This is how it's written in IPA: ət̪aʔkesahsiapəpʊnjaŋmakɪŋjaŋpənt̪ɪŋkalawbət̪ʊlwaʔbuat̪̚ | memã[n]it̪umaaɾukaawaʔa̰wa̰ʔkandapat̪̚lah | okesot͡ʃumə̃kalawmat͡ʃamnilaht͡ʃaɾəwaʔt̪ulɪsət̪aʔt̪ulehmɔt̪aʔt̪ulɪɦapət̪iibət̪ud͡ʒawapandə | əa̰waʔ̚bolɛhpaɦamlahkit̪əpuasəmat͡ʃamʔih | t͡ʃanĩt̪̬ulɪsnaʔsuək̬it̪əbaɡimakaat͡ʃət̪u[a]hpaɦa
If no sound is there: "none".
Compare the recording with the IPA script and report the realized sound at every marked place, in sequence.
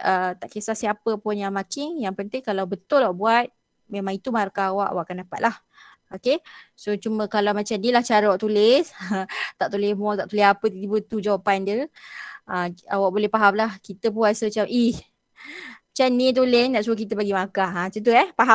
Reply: ŋ, ɛ

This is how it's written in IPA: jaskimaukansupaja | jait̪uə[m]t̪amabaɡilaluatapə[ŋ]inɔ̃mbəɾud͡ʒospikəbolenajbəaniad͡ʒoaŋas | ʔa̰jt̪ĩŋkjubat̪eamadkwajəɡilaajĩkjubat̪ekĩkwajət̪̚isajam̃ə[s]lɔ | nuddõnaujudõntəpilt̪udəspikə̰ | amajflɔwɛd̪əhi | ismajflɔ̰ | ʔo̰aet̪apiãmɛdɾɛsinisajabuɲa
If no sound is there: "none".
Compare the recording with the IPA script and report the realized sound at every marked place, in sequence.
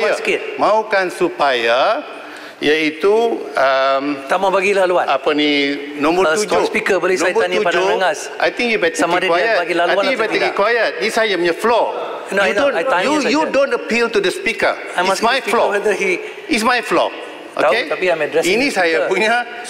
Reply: m, n, f

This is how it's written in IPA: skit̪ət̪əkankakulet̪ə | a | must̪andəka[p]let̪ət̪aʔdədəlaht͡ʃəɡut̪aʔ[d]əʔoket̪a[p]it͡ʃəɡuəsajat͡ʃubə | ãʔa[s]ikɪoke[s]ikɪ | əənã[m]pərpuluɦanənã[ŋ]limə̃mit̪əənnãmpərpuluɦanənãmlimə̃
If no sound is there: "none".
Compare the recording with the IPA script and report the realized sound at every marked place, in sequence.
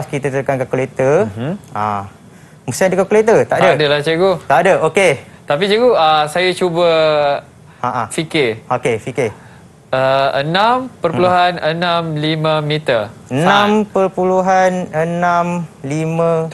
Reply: k, d, p, f, f, m, m

